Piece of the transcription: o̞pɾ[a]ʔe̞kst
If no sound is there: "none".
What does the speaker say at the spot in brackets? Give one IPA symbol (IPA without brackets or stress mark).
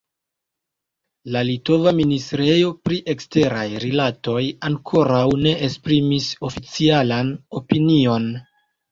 i